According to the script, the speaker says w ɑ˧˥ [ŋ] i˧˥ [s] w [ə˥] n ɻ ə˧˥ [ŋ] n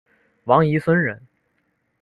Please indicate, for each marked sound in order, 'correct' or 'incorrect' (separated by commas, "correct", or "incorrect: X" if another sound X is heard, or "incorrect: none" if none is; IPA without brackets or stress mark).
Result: correct, correct, correct, incorrect: none